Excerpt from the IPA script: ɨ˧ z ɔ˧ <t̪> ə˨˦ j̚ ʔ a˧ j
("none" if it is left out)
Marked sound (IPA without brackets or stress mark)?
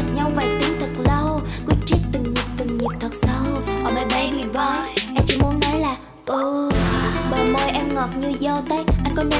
t̪